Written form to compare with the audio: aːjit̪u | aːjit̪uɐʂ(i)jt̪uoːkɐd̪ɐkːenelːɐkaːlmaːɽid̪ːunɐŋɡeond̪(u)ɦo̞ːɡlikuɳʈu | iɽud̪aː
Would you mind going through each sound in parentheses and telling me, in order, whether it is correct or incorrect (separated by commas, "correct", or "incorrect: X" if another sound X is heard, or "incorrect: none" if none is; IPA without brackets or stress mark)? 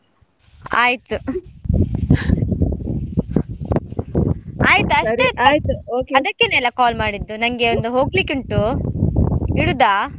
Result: incorrect: e, correct